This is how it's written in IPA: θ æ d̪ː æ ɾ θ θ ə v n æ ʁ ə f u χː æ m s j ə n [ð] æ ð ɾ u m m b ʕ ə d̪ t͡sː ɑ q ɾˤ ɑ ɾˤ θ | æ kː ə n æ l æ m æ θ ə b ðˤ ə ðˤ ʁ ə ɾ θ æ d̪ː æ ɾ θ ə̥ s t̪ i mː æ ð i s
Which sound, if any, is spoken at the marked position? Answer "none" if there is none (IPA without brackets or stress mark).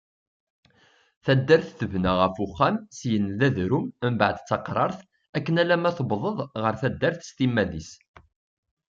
ð